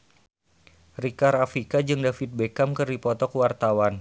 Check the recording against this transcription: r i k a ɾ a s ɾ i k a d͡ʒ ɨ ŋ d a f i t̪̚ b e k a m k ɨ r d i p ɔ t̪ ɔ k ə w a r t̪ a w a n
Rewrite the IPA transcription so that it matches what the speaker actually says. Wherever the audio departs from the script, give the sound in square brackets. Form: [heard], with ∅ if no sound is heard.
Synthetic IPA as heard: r i k a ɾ a [f] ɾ i k a d͡ʒ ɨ ŋ d a f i t̪̚ b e k a m k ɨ r d i p ɔ t̪ ɔ k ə w a r t̪ a w a n